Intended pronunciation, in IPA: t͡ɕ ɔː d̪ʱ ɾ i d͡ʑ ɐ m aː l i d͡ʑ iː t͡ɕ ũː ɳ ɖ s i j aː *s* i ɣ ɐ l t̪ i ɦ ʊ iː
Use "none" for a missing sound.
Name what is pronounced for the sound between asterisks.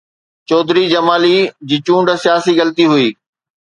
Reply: s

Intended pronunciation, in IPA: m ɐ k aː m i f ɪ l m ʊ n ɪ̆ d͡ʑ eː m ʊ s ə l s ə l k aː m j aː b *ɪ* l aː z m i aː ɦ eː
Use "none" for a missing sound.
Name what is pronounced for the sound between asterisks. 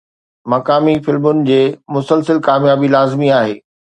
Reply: i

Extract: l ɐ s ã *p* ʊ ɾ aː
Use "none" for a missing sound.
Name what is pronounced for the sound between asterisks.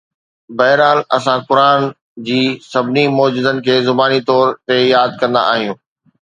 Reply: k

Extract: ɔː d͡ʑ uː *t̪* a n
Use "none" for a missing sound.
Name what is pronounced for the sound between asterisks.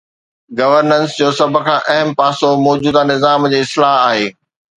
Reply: d̪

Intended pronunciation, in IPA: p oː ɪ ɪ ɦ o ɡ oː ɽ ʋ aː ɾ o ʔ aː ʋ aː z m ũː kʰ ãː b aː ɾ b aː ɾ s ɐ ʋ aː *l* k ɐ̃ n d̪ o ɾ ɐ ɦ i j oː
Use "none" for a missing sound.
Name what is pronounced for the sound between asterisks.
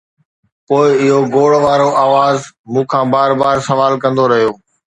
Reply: l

